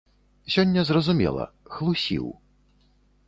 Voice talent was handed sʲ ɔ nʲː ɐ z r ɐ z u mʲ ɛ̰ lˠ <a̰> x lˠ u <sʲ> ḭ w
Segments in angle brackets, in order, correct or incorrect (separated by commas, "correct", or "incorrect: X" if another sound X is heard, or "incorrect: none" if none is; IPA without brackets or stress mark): incorrect: ɐ̰, correct